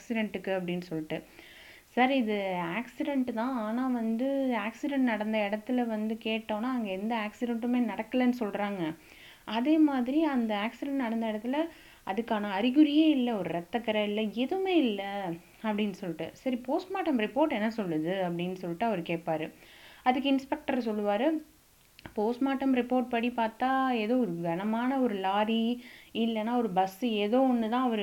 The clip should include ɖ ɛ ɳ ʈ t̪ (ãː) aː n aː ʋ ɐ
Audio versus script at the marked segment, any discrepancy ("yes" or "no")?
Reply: no